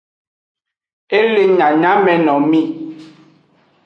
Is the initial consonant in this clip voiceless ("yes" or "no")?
no